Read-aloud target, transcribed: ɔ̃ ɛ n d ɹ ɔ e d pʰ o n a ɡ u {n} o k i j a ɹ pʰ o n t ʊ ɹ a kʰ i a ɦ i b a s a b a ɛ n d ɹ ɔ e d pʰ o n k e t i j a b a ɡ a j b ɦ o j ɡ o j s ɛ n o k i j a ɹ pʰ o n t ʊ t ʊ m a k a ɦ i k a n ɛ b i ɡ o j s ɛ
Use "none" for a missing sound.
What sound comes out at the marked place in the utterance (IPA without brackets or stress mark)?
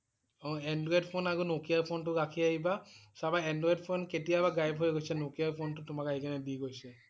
n